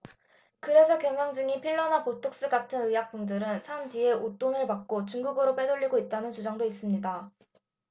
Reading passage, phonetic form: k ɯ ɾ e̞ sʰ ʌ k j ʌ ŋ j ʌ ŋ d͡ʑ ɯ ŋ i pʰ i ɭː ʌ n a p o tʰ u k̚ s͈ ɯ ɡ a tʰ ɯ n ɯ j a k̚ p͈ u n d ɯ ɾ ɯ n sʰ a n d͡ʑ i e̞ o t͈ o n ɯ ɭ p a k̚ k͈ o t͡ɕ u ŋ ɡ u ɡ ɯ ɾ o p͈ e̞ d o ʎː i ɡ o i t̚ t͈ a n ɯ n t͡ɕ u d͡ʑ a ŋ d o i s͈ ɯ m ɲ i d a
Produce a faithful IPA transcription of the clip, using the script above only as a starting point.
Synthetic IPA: k ɯ ɾ e̞ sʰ ʌ k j ʌ ŋ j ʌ ŋ d͡ʑ ɯ ŋ i pʰ i ɭː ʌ n a p o tʰ o k̚ s͈ ɯ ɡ a tʰ ɯ n ɯ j a k̚ p͈ u n d ɯ ɾ ɯ n sʰ a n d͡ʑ i e̞ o t͈ o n ɯ ɭ p a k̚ k͈ o t͡ɕ u ŋ ɡ u ɡ ɯ ɾ o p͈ e̞ d o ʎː i ɡ o i t̚ t͈ a n ɯ n t͡ɕ u d͡ʑ a ŋ d o i s͈ ɯ m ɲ i d a